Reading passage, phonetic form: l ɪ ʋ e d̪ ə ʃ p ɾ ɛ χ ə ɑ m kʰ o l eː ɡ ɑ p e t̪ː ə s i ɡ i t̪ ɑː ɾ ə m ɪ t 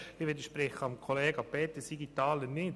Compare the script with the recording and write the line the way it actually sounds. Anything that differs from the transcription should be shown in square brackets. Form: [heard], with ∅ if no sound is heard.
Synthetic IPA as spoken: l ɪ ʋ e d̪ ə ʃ p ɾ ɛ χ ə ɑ m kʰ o l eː ɡ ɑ p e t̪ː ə s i ɡ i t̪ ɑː [l] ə [n] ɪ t